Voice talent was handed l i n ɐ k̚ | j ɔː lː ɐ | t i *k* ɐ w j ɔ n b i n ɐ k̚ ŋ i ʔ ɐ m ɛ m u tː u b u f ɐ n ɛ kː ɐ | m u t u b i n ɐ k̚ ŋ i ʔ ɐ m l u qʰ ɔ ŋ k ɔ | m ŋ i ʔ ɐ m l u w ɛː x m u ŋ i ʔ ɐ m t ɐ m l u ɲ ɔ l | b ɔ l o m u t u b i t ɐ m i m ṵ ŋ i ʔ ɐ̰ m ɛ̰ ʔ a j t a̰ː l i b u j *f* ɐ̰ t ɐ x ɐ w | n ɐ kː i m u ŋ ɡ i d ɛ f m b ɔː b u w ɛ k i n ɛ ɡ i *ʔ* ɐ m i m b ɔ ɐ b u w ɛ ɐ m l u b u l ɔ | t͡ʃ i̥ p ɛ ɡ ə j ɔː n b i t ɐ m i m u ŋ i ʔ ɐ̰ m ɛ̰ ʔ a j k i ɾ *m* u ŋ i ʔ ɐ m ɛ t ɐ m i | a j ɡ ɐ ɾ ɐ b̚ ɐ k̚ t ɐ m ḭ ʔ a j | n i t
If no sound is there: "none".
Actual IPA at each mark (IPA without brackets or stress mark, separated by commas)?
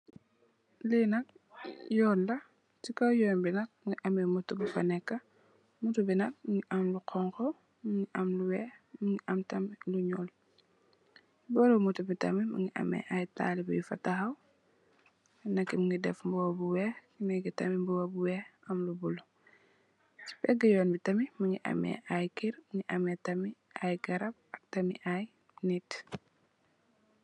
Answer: k, f, t, m